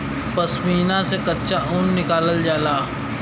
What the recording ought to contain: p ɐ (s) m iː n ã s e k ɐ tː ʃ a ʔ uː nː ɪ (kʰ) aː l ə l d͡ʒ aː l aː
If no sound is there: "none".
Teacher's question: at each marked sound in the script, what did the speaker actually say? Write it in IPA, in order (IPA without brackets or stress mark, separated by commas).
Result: s, k